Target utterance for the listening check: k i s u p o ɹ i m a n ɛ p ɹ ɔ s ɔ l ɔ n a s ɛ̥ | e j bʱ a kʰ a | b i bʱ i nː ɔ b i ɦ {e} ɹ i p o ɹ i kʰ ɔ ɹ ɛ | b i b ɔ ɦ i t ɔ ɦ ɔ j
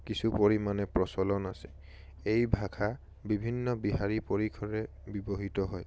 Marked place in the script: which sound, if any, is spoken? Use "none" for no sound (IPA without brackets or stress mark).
a